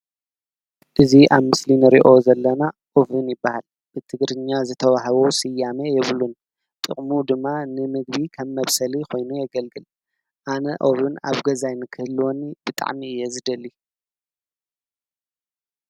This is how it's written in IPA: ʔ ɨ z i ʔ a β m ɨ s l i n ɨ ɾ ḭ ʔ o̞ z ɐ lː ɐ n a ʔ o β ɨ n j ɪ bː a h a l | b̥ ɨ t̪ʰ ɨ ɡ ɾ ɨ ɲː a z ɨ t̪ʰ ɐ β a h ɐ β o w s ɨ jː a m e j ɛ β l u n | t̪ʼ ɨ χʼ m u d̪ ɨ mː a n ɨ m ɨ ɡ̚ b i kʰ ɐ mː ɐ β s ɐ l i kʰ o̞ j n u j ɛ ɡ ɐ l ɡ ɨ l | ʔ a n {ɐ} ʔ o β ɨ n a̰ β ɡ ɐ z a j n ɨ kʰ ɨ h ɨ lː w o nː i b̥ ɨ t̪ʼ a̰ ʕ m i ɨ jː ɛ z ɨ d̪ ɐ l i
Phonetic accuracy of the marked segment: correct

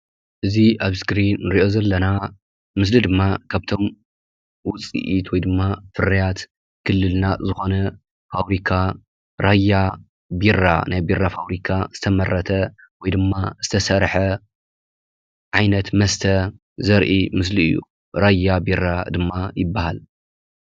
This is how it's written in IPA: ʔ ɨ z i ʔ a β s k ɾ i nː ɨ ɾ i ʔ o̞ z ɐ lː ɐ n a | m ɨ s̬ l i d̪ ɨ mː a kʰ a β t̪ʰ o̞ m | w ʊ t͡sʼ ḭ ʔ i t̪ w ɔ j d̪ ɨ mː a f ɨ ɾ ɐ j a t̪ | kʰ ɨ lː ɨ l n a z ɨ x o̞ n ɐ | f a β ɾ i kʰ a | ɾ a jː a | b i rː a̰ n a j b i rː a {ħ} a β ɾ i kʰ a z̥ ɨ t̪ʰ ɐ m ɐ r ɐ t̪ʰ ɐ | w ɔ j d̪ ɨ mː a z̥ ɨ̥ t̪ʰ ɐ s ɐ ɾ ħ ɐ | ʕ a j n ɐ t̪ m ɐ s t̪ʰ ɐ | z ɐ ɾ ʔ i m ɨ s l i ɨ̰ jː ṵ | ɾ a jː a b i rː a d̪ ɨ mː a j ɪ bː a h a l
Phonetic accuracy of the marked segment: incorrect: f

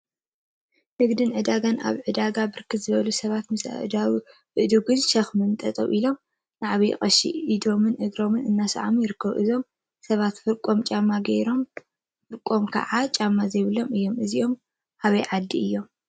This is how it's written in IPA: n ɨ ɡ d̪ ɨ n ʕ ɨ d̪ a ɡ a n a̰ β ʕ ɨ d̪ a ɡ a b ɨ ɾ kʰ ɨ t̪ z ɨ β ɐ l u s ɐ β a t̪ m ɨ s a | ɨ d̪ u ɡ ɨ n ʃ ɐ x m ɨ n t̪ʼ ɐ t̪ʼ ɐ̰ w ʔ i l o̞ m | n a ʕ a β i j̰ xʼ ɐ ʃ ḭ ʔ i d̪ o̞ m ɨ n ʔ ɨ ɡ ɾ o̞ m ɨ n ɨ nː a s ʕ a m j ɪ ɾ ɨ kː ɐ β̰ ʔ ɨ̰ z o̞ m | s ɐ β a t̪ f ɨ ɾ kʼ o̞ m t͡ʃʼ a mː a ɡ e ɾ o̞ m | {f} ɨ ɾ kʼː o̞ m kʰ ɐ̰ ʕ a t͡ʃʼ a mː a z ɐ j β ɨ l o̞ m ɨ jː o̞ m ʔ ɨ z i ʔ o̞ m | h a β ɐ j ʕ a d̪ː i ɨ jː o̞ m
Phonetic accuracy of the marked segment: correct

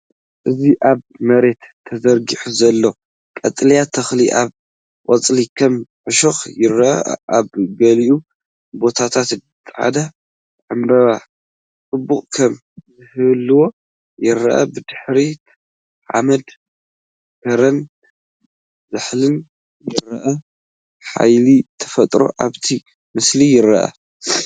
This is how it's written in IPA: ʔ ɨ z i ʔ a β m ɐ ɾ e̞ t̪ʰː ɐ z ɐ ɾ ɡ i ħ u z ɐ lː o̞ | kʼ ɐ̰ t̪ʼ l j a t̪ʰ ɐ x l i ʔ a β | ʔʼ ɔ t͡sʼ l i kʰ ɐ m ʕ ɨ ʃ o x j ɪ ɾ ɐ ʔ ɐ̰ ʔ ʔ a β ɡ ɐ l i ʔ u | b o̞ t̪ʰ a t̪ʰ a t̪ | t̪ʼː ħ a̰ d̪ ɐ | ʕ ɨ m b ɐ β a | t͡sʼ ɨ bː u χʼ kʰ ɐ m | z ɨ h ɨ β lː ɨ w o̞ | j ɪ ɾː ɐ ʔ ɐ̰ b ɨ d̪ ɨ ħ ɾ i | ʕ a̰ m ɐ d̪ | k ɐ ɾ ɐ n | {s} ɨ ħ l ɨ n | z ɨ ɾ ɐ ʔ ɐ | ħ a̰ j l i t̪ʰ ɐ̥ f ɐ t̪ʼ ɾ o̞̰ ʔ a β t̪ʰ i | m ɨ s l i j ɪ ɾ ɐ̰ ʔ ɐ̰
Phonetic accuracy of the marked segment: incorrect: z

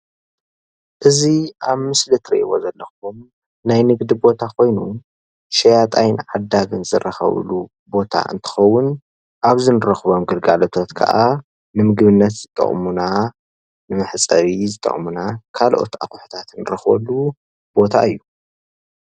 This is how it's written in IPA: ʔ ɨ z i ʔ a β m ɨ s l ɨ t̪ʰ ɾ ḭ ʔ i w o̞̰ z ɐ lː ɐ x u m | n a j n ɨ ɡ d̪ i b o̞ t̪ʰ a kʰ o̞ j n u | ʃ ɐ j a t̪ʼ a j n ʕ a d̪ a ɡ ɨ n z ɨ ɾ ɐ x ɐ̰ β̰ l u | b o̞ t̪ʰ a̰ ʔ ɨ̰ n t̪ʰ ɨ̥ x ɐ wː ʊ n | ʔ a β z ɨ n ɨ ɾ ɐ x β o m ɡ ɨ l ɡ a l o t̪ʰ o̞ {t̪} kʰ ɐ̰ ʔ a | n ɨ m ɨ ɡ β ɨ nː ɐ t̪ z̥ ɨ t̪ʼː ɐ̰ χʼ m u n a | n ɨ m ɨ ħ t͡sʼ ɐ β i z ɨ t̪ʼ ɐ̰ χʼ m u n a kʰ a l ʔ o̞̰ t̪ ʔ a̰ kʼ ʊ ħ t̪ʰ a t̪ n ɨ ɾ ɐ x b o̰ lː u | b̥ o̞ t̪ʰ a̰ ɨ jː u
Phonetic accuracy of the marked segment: correct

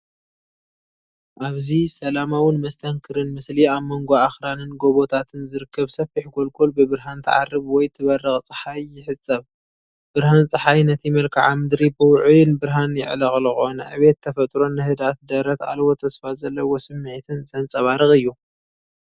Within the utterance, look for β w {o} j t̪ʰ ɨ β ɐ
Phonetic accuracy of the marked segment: incorrect: ɔ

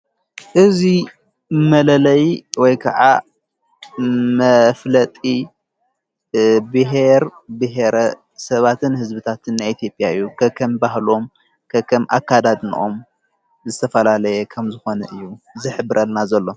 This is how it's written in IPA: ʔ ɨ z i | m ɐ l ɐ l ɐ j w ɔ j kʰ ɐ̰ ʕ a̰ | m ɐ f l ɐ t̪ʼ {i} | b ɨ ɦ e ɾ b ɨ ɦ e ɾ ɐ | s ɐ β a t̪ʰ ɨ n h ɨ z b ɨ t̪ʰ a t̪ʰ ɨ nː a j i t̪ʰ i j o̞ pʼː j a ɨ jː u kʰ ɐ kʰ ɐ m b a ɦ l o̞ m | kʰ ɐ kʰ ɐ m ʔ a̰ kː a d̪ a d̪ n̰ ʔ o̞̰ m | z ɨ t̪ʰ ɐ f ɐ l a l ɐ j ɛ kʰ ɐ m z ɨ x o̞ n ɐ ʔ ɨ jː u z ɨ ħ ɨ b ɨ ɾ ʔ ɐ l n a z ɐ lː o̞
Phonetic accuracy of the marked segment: correct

